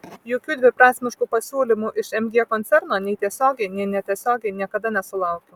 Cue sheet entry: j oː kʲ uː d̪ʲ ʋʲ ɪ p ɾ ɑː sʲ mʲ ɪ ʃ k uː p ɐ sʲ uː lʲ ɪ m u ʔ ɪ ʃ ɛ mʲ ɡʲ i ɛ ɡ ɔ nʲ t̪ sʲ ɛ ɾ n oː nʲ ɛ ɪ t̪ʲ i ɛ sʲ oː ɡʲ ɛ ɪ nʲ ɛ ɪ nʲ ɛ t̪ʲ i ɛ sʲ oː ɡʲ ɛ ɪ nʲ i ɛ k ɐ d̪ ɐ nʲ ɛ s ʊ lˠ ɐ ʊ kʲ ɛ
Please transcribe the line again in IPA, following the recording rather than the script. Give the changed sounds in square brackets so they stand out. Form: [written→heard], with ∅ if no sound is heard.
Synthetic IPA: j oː kʲ uː d̪ʲ ʋʲ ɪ p ɾ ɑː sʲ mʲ ɪ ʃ k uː p ɐ sʲ uː lʲ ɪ m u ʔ ɪ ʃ ɛ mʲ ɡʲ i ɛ [ɡ→k] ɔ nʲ t̪ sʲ ɛ ɾ n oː nʲ ɛ ɪ t̪ʲ i ɛ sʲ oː ɡʲ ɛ ɪ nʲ ɛ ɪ nʲ ɛ t̪ʲ i ɛ sʲ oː ɡʲ ɛ ɪ nʲ i ɛ k ɐ d̪ ɐ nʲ ɛ s ʊ lˠ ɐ ʊ kʲ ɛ